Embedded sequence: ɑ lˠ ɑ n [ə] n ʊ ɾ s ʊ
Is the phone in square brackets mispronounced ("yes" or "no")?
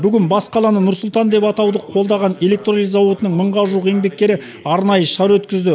no